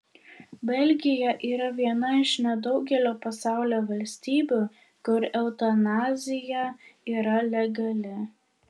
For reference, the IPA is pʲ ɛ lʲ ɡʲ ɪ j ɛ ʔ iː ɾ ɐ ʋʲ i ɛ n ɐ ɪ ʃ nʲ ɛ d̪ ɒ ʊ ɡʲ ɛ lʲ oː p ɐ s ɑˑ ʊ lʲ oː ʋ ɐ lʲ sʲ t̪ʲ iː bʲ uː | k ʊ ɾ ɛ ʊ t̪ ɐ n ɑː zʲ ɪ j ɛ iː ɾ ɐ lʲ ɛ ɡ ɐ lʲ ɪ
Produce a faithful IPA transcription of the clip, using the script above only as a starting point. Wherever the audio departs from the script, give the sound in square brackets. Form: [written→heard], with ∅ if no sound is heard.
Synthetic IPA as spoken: [pʲ→bʲ] ɛ lʲ ɡʲ ɪ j ɛ ʔ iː ɾ ɐ ʋʲ i ɛ n ɐ ɪ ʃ nʲ ɛ d̪ ɒ ʊ ɡʲ ɛ lʲ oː p ɐ s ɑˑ ʊ lʲ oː ʋ ɐ lʲ sʲ t̪ʲ iː bʲ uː | k ʊ ɾ ɛ ʊ t̪ ɐ n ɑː zʲ ɪ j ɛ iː ɾ ɐ lʲ ɛ ɡ ɐ lʲ ɪ